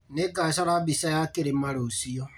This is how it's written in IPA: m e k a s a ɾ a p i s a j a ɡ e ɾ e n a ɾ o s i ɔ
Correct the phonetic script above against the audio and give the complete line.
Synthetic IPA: n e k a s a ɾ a b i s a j a k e ɾ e m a ɾ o s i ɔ